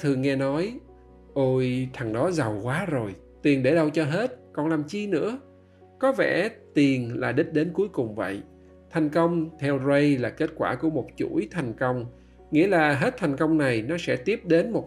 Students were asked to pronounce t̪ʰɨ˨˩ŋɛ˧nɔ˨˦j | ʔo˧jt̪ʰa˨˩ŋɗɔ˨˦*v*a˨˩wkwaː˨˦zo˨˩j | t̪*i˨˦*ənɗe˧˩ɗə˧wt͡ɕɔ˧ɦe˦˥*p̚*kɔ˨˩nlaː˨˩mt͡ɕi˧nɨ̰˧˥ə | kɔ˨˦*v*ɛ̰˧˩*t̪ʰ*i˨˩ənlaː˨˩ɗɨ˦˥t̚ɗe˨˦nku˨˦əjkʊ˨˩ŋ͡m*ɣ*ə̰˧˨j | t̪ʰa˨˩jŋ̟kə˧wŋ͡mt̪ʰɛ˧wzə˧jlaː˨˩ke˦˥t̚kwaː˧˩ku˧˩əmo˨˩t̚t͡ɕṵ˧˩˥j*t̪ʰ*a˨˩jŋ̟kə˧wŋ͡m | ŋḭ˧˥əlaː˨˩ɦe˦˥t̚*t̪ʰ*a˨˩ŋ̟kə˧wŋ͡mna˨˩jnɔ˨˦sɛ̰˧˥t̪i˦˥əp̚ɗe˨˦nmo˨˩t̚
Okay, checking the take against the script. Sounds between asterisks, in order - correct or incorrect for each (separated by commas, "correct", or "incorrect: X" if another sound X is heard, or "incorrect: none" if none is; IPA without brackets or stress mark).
incorrect: z, incorrect: i˨˩, incorrect: t̚, correct, incorrect: t̪, incorrect: v, correct, correct